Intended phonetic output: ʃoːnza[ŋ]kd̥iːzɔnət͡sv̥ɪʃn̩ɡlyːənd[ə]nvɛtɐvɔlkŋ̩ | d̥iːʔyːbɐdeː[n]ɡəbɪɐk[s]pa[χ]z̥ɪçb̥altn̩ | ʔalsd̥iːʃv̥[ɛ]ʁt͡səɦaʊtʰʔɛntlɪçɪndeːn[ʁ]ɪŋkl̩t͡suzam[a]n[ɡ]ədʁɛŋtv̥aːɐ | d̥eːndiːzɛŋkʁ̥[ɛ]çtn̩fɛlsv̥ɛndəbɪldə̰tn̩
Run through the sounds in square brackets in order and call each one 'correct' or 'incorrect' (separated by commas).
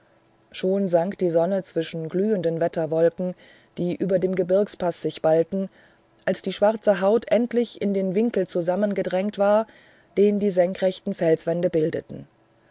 correct, correct, incorrect, correct, incorrect, incorrect, incorrect, incorrect, correct, correct